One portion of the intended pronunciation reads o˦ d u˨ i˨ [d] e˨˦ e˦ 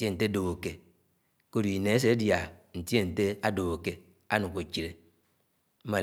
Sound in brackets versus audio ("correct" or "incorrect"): incorrect